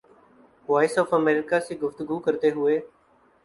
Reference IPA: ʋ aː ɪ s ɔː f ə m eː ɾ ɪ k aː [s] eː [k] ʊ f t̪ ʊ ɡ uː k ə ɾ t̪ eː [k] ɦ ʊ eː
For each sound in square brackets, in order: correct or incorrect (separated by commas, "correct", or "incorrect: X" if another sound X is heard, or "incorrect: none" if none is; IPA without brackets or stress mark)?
correct, incorrect: ɡ, incorrect: none